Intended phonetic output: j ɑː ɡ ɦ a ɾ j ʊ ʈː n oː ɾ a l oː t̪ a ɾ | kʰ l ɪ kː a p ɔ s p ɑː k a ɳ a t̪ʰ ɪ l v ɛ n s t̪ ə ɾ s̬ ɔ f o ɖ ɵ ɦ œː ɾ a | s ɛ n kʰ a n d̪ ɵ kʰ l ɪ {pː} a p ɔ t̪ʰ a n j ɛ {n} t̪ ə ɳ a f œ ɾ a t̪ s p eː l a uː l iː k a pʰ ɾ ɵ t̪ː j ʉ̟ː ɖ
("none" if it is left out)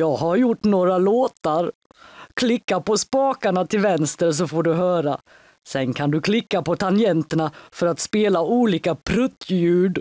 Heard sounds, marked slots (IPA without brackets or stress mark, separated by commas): kː, n